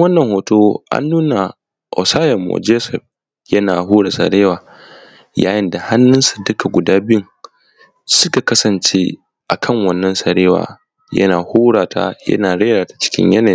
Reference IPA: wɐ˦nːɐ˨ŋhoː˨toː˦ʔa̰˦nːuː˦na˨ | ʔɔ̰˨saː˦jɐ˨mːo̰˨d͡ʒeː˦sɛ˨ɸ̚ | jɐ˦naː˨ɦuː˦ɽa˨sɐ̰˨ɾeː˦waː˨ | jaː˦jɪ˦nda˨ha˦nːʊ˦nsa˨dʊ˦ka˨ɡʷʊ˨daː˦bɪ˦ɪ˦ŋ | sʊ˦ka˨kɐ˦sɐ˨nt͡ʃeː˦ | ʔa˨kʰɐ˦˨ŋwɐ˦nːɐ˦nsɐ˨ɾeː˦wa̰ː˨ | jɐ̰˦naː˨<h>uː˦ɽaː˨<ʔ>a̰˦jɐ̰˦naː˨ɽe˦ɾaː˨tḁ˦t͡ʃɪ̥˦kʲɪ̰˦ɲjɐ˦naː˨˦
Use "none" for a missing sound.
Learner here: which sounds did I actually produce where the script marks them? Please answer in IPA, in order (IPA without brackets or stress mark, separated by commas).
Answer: h, t